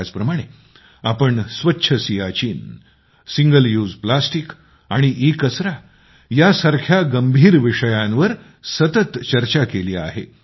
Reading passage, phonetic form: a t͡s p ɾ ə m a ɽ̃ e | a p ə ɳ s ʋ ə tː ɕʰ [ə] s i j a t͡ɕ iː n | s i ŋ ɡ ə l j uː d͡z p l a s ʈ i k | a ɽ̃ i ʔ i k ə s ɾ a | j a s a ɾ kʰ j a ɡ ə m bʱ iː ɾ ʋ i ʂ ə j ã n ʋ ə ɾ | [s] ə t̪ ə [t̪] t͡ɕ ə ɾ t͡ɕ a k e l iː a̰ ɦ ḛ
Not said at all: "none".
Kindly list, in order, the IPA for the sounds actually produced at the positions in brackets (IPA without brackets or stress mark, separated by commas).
ə, s, t̪